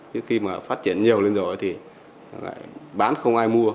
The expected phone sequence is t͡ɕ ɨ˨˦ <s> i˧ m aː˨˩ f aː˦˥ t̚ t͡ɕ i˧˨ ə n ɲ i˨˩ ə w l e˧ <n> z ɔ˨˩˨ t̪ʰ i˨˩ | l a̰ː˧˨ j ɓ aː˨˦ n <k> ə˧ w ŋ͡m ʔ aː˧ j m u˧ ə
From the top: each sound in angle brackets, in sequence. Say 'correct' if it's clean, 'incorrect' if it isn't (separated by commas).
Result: incorrect, correct, incorrect